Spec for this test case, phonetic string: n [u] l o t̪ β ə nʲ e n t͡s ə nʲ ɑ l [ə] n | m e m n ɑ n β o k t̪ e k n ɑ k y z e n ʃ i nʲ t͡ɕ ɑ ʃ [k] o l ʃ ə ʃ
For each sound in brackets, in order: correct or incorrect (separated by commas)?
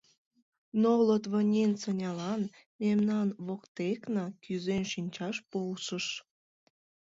incorrect, incorrect, incorrect